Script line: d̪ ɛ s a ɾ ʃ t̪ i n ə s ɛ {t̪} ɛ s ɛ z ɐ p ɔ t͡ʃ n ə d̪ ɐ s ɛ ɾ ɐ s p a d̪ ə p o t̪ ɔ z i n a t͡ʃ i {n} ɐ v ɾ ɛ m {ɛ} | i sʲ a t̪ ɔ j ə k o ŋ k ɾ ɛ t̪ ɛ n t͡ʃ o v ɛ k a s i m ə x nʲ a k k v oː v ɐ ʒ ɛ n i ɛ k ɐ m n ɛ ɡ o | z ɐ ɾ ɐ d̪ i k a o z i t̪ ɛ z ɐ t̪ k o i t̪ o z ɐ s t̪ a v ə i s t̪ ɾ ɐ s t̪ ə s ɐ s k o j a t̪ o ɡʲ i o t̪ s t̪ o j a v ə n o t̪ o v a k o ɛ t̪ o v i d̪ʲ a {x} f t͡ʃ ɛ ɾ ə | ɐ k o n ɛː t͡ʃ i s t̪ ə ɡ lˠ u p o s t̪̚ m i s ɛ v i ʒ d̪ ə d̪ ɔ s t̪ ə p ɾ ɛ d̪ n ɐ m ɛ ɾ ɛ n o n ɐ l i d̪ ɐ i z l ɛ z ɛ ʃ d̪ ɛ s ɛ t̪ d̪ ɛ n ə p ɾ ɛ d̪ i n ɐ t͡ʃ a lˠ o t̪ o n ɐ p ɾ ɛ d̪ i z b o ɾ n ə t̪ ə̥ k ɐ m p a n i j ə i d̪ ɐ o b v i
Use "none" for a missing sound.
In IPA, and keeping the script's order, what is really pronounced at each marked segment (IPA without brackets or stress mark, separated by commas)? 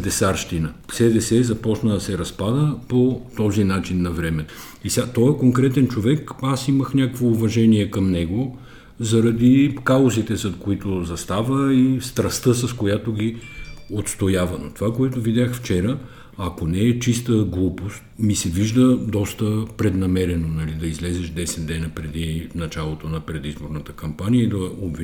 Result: d̪, nː, ɛ, x